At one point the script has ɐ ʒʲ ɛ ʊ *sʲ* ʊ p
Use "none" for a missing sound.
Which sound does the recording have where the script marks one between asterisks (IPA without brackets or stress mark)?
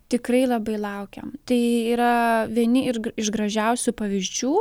sʲ